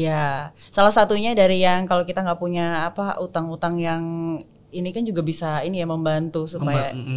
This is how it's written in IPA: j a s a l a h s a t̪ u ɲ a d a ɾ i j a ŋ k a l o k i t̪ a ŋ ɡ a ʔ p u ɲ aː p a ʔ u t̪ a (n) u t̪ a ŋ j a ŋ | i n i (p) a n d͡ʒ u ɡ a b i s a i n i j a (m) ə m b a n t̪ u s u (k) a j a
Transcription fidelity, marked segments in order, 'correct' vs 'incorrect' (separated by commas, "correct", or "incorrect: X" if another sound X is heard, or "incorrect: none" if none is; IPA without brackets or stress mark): incorrect: ŋ, incorrect: k, correct, incorrect: p